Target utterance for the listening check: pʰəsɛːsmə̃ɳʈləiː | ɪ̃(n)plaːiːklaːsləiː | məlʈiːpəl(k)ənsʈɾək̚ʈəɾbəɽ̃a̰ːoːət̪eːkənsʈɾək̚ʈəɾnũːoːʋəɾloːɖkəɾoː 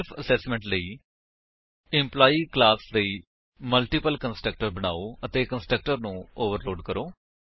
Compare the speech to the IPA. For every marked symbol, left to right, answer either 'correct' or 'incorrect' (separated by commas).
incorrect, correct